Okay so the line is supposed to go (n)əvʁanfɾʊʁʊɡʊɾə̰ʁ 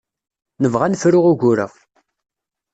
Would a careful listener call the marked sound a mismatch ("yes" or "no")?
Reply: no